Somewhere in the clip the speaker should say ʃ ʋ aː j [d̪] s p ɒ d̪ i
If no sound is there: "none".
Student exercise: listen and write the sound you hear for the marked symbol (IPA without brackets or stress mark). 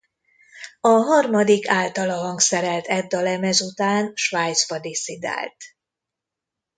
t̪